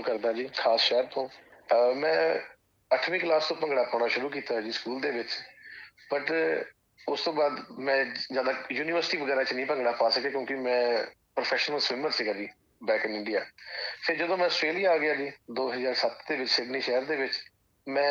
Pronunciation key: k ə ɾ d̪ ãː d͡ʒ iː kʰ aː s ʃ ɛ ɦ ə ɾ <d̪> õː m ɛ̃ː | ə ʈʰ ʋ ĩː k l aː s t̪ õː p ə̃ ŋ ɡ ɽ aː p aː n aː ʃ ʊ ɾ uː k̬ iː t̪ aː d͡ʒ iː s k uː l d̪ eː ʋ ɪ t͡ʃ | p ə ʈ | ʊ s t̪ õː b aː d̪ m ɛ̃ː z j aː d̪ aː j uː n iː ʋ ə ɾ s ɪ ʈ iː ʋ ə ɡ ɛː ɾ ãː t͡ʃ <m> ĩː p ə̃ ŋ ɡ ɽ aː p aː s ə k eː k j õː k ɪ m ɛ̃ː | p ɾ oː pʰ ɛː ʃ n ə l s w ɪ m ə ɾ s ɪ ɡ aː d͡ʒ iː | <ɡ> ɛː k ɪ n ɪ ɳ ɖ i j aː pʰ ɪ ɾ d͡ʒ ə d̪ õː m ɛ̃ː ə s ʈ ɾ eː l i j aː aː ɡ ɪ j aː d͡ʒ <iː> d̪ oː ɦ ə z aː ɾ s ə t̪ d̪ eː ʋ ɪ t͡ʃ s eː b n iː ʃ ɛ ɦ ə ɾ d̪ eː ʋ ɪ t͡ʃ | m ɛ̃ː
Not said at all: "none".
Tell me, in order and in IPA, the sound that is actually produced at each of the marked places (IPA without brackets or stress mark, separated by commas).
t̪, n, b, iː